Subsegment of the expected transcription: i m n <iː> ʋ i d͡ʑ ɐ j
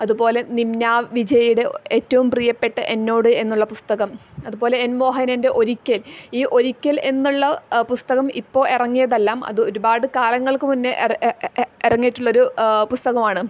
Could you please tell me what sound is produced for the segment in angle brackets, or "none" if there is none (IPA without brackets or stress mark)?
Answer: aː